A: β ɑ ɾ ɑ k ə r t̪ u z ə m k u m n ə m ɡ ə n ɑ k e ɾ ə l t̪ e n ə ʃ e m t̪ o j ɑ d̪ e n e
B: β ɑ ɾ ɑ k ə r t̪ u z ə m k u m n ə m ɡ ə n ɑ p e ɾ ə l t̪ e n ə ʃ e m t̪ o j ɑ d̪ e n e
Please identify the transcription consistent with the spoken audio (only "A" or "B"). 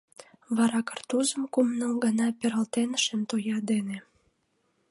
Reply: B